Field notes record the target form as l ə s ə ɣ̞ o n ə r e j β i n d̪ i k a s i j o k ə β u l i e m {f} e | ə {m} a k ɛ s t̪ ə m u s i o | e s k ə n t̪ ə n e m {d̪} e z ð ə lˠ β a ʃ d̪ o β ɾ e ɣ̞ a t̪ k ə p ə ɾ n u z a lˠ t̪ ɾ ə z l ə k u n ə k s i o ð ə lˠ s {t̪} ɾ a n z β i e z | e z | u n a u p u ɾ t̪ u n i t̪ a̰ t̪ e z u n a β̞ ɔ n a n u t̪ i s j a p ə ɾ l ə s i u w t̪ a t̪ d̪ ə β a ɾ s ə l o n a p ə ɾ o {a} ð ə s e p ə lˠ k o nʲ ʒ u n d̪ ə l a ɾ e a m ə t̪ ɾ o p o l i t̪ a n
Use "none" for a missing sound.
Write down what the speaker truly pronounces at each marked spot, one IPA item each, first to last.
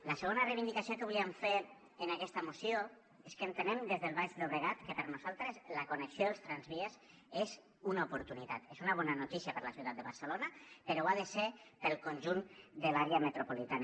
f, n, d̪, t̪, a

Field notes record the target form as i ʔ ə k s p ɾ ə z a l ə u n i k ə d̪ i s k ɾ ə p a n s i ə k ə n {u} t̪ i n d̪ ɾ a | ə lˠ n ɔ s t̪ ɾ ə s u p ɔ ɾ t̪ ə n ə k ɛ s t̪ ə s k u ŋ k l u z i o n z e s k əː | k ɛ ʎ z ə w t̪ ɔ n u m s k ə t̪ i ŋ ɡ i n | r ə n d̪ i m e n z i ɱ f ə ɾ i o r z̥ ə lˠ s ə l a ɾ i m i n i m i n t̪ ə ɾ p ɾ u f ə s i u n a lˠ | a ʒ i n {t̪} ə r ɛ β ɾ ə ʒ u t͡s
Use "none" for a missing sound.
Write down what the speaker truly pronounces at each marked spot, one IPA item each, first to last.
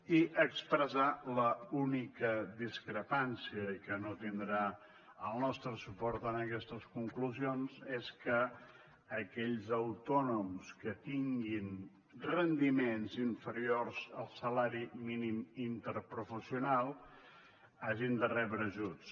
o, d̪

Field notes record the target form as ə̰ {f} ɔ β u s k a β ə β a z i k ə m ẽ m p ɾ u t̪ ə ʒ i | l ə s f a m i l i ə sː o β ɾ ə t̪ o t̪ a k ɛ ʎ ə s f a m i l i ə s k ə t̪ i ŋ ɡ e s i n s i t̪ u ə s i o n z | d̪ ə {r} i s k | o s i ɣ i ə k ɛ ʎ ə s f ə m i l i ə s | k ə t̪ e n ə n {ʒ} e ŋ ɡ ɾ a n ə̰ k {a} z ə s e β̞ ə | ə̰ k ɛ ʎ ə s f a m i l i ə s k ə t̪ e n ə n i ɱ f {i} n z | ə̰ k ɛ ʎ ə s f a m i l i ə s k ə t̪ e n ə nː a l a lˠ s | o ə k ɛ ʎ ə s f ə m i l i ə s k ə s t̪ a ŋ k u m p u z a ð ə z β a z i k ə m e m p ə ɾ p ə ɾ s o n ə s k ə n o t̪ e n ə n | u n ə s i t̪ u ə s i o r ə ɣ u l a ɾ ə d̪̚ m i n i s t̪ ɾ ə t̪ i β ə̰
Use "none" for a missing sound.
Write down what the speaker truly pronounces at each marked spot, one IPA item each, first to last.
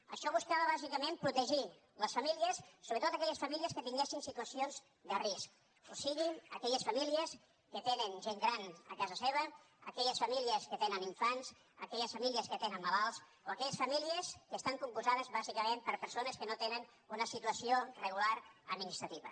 ʃ, r, ʒ, a, a

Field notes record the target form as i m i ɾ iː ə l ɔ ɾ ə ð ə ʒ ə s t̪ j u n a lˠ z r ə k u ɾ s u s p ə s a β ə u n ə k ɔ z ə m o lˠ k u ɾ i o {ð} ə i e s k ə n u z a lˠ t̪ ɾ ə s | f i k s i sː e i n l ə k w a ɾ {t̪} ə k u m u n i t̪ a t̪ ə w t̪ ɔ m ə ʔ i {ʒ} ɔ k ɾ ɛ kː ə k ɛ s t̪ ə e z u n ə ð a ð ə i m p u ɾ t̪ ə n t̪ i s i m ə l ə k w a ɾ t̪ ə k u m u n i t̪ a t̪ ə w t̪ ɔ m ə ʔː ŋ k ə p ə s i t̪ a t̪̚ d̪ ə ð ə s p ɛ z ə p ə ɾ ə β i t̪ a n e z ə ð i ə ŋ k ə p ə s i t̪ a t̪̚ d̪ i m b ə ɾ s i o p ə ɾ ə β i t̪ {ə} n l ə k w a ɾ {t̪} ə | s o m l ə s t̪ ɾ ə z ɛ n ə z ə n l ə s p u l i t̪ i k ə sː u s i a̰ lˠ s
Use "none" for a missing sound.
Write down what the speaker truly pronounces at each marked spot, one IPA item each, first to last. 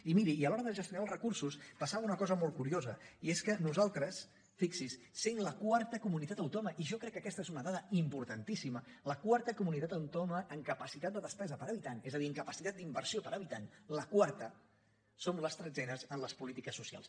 z, t̪, ʒ, a, t̪

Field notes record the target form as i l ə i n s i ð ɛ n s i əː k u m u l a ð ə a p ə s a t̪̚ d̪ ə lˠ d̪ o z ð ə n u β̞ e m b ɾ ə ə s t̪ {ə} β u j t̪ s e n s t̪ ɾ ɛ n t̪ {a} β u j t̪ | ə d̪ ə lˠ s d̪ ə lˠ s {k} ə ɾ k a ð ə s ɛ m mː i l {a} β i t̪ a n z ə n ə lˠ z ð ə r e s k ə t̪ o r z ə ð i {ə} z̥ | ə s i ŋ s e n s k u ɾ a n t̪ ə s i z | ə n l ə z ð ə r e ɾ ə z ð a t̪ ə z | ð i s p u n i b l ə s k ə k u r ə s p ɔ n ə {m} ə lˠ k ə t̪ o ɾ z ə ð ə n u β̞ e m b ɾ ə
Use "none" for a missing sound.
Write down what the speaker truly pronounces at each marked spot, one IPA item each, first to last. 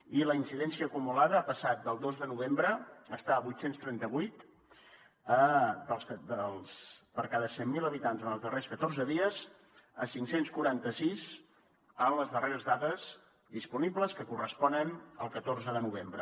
a, ə, p, ə, ə, n

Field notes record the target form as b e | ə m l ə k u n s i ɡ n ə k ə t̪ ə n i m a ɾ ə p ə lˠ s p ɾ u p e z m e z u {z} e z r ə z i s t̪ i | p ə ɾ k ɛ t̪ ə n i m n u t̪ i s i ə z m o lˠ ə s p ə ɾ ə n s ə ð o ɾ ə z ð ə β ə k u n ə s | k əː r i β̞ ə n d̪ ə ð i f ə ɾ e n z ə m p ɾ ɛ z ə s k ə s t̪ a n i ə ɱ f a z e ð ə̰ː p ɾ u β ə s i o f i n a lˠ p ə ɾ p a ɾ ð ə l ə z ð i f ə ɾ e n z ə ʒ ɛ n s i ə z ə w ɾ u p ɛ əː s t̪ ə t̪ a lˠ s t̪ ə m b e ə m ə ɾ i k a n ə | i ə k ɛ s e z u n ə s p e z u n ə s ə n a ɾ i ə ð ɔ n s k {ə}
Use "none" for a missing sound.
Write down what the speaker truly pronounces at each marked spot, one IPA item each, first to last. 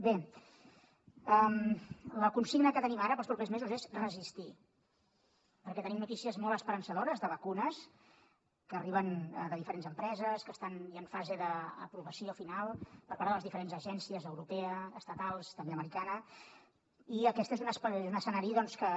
z, ə

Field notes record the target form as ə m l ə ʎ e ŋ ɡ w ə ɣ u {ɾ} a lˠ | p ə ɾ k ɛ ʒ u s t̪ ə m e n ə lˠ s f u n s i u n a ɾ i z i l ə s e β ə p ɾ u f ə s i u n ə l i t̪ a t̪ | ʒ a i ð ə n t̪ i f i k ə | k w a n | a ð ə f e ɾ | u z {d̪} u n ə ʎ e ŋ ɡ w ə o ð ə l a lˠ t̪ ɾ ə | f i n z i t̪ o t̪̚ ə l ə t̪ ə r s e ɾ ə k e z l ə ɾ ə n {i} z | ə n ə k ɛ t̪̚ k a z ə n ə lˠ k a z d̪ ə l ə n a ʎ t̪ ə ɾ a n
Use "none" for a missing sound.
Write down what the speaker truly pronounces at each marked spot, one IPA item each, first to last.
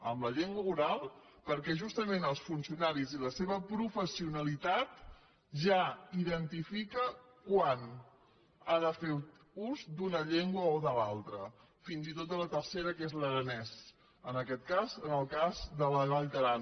ɾ, d̪, ɛ

